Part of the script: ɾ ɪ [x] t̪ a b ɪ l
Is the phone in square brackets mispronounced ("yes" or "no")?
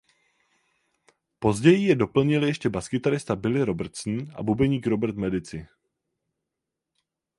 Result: yes